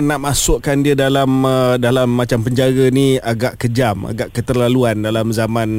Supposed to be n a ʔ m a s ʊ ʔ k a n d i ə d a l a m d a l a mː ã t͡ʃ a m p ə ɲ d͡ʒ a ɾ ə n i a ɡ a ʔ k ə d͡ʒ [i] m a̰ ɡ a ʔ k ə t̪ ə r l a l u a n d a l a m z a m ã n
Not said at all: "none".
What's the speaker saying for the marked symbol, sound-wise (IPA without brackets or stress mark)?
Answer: a